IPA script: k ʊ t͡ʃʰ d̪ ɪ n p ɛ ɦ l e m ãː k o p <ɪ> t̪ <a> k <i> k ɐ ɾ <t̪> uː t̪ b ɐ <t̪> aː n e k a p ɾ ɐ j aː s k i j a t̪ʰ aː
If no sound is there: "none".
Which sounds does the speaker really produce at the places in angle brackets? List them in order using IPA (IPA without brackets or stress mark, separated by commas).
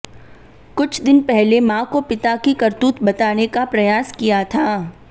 ɪ, a, i, t̪, t̪